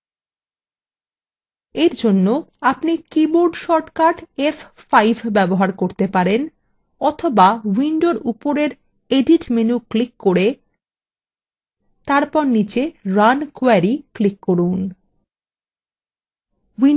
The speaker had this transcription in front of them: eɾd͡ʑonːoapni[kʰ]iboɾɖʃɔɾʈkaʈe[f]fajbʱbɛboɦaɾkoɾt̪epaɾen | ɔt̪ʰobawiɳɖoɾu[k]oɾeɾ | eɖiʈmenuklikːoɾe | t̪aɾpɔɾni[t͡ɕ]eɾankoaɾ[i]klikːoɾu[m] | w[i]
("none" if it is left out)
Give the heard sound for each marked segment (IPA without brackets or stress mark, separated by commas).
k, f, p, t͡ɕ, i, n, i